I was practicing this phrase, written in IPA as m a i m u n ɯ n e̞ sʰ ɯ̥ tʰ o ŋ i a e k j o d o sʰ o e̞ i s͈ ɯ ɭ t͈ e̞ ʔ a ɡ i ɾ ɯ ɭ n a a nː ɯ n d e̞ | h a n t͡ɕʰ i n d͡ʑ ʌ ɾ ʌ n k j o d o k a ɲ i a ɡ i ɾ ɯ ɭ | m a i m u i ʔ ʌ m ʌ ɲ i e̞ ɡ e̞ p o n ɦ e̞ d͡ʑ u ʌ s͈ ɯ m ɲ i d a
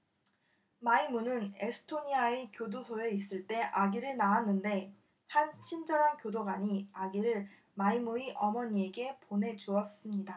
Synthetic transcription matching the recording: m a i m u n ɯ n e̞ sʰ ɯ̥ tʰ o ɲ i a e k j o d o sʰ o e̞ i s͈ ɯ ɭ t͈ e̞ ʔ a ɡ i ɾ ɯ ɭ n a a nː ɯ n d e̞ | h a n t͡ɕʰ i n d͡ʑ ʌ ɾ a n k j o d o ɡ a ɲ i a ɡ i ɾ ɯ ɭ | m a i m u i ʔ ʌ m ʌ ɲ i e̞ ɡ e̞ p o n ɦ e̞ d͡ʑ u ʌ s͈ ɯ m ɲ i d a